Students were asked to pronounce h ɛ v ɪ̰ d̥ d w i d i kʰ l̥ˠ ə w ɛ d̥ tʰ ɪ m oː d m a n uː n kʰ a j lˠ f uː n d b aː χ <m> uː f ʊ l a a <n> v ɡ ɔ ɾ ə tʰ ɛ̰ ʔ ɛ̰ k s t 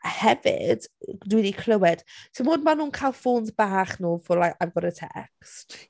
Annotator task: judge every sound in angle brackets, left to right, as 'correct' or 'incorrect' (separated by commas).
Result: incorrect, incorrect